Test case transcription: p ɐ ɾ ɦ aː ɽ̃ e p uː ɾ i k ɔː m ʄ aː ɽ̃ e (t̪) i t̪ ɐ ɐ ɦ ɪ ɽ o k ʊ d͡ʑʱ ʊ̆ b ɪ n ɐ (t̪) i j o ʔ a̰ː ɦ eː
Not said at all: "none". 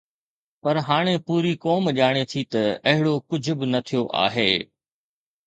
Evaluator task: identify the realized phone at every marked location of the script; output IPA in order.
t̪ʰ, t̪ʰ

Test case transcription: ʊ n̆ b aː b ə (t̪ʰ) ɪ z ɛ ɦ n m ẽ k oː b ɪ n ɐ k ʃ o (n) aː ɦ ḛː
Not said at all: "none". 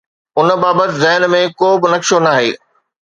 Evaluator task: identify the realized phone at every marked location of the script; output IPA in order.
t̪, n

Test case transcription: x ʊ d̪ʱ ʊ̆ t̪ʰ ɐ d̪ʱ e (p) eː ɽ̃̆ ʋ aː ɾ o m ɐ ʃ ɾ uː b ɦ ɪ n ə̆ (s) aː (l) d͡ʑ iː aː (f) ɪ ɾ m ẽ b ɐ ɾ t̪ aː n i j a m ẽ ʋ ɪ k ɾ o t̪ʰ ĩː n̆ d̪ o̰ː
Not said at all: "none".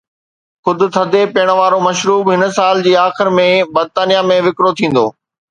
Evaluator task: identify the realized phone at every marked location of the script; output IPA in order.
p, s, l, x

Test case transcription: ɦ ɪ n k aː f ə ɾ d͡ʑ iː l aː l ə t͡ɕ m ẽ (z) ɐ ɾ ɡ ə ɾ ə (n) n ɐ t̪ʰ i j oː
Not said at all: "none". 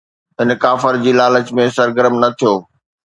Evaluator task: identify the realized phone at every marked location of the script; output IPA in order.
s, m

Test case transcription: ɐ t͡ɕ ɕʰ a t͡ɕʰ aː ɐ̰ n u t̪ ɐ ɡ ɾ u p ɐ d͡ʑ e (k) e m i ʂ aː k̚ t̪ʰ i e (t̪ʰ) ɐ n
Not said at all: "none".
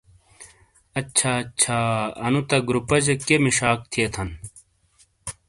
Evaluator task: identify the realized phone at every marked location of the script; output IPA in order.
k, t̪ʰ

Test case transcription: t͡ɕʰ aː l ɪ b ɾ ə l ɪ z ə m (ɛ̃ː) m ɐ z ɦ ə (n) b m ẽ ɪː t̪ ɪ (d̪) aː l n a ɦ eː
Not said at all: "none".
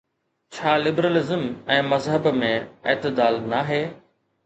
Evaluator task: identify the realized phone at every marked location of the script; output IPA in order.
ɛ̃ː, none, d̪

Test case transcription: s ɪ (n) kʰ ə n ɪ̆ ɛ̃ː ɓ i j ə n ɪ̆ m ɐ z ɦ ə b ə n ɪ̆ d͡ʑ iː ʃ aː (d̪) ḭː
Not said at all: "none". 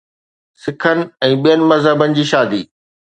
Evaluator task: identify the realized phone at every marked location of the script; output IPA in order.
none, d̪

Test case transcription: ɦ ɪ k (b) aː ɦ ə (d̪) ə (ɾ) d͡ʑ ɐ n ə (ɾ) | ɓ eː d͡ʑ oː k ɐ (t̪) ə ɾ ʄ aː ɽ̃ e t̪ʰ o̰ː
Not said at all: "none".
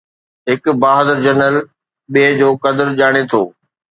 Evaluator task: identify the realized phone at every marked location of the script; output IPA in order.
b, d̪, ɾ, l, d̪

